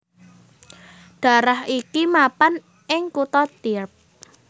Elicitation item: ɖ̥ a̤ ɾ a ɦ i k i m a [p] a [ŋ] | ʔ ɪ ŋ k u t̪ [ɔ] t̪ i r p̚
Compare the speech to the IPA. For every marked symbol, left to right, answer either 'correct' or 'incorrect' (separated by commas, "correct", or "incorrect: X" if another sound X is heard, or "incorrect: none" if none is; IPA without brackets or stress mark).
correct, incorrect: n, correct